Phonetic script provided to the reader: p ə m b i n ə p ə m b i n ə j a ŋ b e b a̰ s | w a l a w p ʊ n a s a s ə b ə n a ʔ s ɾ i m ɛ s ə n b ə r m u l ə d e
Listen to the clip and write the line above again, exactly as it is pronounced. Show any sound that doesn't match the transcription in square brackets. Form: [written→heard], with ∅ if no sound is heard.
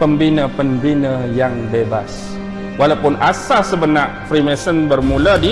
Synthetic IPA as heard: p ə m b i n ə p ə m b i n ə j a ŋ b e b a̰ s | w a l a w p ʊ n a s a s ə b ə n a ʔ [s→f] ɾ i m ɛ s ə n b ə r m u l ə d [e→i]